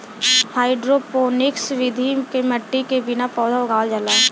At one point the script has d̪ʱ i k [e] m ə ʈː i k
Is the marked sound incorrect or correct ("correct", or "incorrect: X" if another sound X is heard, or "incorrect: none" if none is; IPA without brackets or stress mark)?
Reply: correct